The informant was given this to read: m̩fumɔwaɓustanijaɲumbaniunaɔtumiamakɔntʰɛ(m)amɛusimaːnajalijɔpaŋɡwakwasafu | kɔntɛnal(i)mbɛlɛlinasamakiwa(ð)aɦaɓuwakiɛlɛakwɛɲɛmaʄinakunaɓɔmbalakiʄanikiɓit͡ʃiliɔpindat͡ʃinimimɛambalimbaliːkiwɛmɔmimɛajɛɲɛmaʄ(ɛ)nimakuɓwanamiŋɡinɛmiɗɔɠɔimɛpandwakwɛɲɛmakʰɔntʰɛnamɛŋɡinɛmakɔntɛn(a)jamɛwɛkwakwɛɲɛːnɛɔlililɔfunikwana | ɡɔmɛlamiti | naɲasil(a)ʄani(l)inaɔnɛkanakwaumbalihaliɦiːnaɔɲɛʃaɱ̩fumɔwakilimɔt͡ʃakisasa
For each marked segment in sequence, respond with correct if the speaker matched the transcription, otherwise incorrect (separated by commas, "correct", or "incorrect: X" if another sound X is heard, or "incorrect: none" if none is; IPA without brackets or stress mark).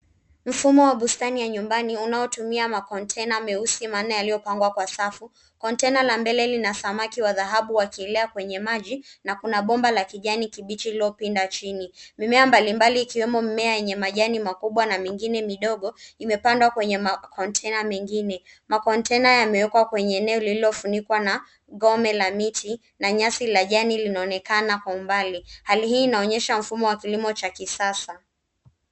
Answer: incorrect: n, incorrect: a, correct, incorrect: a, correct, correct, correct